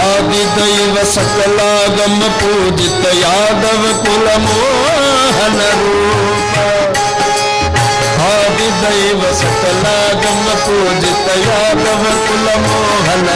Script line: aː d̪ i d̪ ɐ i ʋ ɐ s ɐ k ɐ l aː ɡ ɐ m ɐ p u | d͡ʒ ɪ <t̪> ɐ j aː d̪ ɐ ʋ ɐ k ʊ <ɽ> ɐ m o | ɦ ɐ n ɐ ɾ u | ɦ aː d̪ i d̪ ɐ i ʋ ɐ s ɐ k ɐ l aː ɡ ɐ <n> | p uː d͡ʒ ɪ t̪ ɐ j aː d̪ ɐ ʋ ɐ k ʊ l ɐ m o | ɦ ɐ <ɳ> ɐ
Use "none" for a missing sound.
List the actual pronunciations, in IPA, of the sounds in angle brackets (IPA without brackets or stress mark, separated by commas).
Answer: t̪, l, m, n